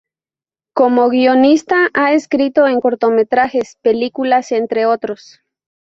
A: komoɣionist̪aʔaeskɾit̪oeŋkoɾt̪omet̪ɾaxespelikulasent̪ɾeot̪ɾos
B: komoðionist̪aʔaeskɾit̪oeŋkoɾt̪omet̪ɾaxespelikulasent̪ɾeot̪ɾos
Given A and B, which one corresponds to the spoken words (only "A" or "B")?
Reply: A